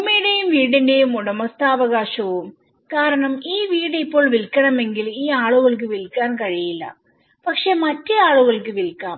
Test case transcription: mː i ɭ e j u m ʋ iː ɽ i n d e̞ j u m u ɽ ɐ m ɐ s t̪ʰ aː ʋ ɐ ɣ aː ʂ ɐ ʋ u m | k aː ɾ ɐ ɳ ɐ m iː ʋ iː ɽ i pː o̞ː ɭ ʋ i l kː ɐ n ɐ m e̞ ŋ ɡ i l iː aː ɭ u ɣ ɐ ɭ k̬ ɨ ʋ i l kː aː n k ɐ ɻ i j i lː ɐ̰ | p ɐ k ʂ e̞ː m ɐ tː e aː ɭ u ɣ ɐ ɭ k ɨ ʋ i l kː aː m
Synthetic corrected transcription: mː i ɽ e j u m ʋ iː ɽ i n d e̞ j u m u ɽ ɐ m ɐ s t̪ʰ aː ʋ ɐ ɣ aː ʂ ɐ ʋ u m | k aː ɾ ɐ ɳ ɐ m iː ʋ iː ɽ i pː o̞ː ɭ ʋ i l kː ɐ ɳ ɐ m e̞ ŋ ɡ i l iː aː ɭ u ɣ ɐ ɭ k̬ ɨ ʋ i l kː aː n k ɐ ɻ i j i lː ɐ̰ | p ɐ k ʂ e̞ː m ɐ tː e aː ɭ u ɣ ɐ ɭ k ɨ ʋ i l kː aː m

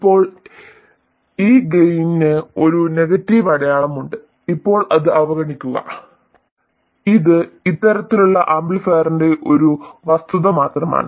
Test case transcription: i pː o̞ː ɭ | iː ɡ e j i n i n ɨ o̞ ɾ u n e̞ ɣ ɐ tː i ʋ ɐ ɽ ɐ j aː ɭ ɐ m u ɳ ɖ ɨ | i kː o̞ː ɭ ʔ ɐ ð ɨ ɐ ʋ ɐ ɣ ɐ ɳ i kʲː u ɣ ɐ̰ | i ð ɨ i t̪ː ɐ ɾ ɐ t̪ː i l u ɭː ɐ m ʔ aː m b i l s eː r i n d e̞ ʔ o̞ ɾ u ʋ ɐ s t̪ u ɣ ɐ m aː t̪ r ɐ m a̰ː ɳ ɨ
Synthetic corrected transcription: i pː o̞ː ɭ | iː ɡ e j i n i n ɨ o̞ ɾ u n e̞ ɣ ɐ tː i ʋ ɐ ɽ ɐ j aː ɭ ɐ m u ɳ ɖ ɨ | i pː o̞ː ɭ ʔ ɐ ð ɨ ɐ ʋ ɐ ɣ ɐ ɳ i kʲː u ɣ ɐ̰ | i ð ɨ i t̪ː ɐ ɾ ɐ t̪ː i l u ɭː ɐ ʔ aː m b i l f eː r i n d e̞ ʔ o̞ ɾ u ʋ ɐ s t̪ u ð ɐ m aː t̪ r ɐ m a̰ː ɳ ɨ

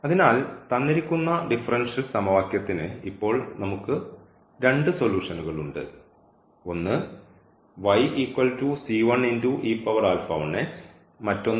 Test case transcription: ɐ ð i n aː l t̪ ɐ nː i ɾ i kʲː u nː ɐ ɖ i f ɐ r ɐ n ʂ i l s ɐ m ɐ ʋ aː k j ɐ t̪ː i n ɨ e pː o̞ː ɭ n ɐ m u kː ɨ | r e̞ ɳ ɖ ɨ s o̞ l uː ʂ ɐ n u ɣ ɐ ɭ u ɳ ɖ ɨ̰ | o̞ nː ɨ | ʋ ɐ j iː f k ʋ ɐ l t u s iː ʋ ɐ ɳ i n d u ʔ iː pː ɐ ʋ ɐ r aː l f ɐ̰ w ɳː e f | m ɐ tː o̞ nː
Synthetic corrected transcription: ɐ ð i n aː l t̪ ɐ nː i ɾ i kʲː u nː ɐ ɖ i f ɐ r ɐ n ʂ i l s ɐ m ɐ ʋ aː k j ɐ t̪ː i n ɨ i pː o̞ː ɭ n ɐ m u kː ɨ | ɾ e̞ ɳ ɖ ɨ s o̞ l uː ʂ ɐ n u ɣ ɐ ɭ u ɳ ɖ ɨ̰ | o̞ nː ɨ | ʋ ɐ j iː k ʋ ɐ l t u s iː ʋ ɐ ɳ i n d u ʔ iː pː ɐ ʋ ɐ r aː l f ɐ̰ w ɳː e s | m ɐ tː o̞ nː

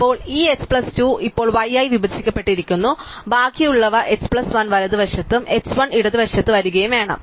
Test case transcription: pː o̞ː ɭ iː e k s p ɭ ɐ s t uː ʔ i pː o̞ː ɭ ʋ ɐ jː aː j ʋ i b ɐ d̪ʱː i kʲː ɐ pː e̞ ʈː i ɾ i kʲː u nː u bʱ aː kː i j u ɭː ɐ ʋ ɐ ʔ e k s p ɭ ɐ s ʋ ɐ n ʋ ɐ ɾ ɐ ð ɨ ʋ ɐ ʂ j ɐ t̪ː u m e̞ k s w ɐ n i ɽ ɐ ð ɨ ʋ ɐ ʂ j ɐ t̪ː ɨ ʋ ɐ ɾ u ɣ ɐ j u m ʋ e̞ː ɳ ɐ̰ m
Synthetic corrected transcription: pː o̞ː ɭ iː e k s p ɭ ɐ s t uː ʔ i pː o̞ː ɭ ʋ ɐ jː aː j ʋ i b ɐ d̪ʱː i kʲː ɐ pː e̞ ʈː i ɾ i kʲː u nː u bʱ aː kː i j u ɭː ɐ ʋ ɐ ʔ e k s p ɭ ɐ s ʋ ɐ n ʋ ɐ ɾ ɐ ð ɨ ʋ ɐ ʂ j ɐ t̪ː u m e̞ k s ʋ ɐ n i ɽ ɐ ð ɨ ʋ ɐ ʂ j ɐ t̪ː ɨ ʋ ɐ ɾ u ɣ ɐ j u m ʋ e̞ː ɳ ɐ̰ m

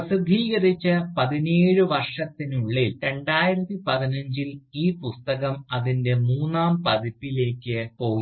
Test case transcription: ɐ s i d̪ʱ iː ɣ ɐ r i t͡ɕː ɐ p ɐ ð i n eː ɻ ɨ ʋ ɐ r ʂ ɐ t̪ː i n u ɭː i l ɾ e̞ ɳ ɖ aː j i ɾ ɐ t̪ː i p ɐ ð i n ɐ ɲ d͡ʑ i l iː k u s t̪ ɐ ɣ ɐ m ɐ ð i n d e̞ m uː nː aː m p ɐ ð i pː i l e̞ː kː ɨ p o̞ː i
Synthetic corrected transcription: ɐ s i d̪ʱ iː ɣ ɐ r i t͡ɕː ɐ p ɐ ð i n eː ɻ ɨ ʋ ɐ r ʂ ɐ t̪ː i n u ɭː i l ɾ e̞ ɳ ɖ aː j i ɾ ɐ t̪ː i p ɐ ð i n ɐ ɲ d͡ʑ i l iː p u s t̪ ɐ ɣ ɐ m ɐ ð i n d e̞ m uː nː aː m p ɐ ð i pː i l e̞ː kː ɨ p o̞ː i

